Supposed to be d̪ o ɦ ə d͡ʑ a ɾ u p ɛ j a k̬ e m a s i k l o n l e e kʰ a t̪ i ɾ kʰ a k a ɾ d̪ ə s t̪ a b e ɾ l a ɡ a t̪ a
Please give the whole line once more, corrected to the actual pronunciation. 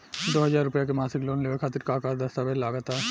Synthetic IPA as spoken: d̪ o ɦ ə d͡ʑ a ɾ u p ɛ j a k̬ e m a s i k l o n l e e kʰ a t̪ i ɾ k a k a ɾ d̪ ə s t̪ a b e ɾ l a ɡ a t̪ a